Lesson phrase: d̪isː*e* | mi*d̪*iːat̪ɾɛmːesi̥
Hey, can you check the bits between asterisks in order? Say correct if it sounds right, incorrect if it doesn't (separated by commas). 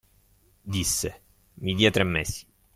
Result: correct, correct